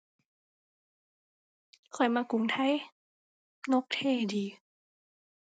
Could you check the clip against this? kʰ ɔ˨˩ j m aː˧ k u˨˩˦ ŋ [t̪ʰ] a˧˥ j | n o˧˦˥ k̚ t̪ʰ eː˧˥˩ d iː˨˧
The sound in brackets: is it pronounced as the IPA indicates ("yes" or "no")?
yes